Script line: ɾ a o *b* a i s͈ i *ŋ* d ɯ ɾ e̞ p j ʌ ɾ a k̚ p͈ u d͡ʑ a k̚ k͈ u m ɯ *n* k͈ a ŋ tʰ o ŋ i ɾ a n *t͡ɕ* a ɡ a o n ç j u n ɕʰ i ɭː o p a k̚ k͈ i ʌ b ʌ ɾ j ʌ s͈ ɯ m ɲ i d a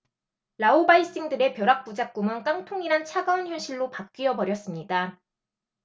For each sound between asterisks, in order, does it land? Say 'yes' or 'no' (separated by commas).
yes, yes, yes, no